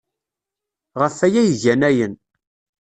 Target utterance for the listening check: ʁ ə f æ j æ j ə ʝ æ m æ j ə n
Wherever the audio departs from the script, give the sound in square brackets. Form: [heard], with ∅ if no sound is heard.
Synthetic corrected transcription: ʁ ə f æ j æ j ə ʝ æ [n] æ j ə n